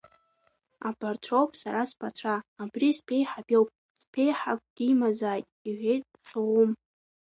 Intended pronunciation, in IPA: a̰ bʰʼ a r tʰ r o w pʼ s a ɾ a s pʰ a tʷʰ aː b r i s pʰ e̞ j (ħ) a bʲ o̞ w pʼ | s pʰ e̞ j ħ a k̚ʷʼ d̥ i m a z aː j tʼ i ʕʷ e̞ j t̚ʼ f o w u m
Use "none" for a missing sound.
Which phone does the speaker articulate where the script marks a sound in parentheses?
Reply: ħ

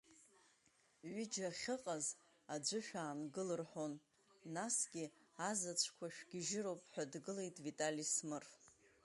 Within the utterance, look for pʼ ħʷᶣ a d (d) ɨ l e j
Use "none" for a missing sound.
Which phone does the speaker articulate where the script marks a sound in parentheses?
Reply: ɡ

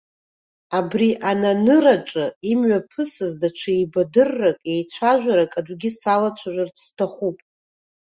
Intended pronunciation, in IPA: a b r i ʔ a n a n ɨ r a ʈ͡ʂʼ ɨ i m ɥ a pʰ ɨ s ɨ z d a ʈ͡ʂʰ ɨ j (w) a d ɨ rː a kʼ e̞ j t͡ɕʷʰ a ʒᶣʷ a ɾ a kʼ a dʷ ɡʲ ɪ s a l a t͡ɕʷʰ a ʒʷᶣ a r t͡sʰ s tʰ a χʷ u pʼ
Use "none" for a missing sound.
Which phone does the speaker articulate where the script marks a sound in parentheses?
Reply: b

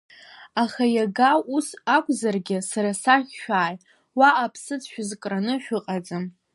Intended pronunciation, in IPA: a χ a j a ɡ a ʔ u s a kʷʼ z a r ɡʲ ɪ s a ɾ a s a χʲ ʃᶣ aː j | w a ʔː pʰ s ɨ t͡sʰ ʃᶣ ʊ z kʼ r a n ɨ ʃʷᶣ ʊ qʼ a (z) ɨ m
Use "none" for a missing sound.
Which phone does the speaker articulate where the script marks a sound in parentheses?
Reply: d͡z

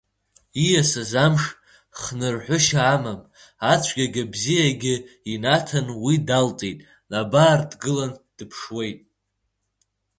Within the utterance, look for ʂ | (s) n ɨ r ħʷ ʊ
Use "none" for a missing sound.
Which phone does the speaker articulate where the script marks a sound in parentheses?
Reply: χ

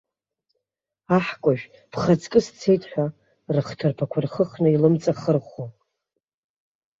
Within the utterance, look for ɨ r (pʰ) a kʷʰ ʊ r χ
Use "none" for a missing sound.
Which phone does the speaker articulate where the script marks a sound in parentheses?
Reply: pʰ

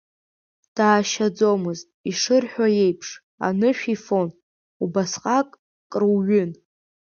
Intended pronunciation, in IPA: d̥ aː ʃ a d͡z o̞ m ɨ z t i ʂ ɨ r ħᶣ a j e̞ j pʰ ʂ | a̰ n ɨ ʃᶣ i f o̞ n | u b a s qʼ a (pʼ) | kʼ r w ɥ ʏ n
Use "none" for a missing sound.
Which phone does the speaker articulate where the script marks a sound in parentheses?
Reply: kʼ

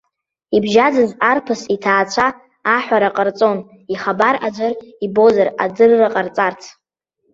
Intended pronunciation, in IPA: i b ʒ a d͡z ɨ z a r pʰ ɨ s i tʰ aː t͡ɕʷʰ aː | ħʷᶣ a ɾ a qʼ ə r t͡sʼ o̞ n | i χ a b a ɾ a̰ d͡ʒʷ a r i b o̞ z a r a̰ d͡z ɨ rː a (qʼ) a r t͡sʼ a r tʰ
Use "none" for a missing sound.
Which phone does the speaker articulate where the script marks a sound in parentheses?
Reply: qʼ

